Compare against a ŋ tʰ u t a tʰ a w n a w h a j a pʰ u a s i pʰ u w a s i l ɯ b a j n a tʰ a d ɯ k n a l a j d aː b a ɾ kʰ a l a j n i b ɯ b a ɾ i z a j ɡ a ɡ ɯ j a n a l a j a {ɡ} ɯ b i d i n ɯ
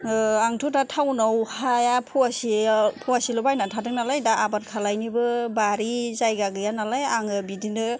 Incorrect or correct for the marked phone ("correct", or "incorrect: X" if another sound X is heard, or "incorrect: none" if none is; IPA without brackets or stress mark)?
incorrect: ŋ